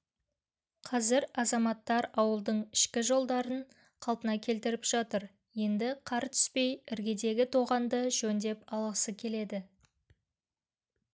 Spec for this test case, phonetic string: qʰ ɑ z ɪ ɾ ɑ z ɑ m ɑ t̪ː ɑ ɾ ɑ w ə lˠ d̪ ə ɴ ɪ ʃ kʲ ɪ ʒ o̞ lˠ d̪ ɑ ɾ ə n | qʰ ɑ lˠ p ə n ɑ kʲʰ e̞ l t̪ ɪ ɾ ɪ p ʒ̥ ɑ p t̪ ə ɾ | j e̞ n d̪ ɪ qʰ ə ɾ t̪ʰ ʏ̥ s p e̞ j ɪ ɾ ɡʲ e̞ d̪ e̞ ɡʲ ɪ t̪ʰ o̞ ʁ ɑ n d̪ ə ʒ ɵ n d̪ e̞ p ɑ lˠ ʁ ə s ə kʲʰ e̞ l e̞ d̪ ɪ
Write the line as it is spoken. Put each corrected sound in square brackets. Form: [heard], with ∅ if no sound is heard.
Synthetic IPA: qʰ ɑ z ɪ ɾ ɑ z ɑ m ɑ t̪ː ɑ ɾ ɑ w ə lˠ d̪ ə ɴ ɪ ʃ kʲ ɪ ʒ o̞ lˠ d̪ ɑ ɾ ə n | qʰ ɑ lˠ p ə n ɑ kʲʰ e̞ l t̪ ɪ ɾ ɪ p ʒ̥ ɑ [∅] t̪ ə ɾ | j e̞ n d̪ ɪ qʰ [ɑ] ɾ t̪ʰ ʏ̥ s p e̞ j ɪ ɾ ɡʲ e̞ d̪ e̞ ɡʲ ɪ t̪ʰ o̞ ʁ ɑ n d̪ ə ʒ ɵ n d̪ e̞ p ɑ lˠ ʁ ə s ə kʲʰ e̞ l e̞ d̪ ɪ